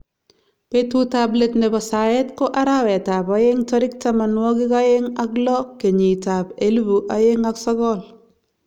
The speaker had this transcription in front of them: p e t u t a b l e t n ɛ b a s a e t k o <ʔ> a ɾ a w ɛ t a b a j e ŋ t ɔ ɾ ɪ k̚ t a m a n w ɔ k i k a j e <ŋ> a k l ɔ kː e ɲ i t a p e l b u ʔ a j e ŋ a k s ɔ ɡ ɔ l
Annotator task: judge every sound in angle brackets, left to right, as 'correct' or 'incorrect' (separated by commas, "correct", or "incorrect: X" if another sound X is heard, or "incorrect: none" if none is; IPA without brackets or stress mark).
correct, correct